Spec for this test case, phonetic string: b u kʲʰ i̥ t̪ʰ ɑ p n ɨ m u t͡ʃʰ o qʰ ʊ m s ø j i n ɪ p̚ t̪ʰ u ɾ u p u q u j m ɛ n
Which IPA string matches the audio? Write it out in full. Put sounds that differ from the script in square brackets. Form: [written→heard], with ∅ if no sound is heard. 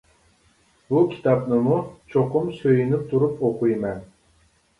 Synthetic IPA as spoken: b u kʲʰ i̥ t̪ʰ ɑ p n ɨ m u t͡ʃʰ o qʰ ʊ m s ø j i n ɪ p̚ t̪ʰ u ɾ u p [u→o] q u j m ɛ n